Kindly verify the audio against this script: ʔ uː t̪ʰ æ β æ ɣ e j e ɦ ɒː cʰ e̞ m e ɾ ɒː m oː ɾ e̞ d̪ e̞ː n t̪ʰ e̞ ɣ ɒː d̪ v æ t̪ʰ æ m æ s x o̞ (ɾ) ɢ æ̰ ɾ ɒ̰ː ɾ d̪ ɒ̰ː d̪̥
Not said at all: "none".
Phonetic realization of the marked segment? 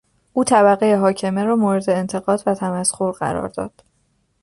ɾ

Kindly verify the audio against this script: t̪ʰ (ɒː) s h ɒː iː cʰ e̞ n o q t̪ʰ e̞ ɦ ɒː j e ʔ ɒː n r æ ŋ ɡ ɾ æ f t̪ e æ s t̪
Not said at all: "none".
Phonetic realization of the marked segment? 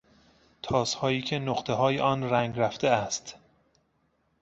ɒː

